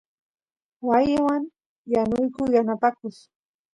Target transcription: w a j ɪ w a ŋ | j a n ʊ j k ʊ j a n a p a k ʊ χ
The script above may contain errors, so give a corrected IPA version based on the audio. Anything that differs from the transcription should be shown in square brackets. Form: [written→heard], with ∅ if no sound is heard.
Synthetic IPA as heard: w a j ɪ w a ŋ | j a n ʊ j k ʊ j a n a p a k ʊ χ